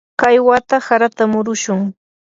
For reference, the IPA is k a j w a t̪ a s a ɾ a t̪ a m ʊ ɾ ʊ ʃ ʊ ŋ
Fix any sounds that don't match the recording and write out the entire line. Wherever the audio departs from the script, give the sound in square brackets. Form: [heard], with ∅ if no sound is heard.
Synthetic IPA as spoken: k a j w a t̪ a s a ɾ a t̪ a m ʊ ɾ ʊ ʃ ʊ ŋ